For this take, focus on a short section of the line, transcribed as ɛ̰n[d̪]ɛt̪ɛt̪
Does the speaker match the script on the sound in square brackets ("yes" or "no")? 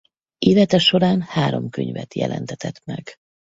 no